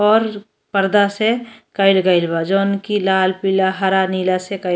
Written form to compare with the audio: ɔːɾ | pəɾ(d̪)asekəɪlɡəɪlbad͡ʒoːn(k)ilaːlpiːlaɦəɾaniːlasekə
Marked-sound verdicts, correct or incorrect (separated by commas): correct, correct